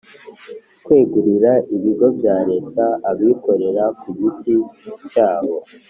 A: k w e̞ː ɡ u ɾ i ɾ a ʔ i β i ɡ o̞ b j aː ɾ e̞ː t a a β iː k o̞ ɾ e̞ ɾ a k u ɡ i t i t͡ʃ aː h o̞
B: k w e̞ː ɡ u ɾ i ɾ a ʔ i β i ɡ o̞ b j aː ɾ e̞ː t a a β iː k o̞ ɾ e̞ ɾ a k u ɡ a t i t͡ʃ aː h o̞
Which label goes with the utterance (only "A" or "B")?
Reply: A